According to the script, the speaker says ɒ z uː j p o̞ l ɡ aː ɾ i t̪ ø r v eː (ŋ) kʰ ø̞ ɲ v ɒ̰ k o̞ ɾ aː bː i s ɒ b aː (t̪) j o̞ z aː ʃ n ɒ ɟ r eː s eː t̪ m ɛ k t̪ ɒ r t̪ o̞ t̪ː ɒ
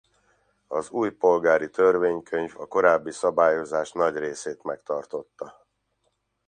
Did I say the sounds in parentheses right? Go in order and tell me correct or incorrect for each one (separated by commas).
incorrect, incorrect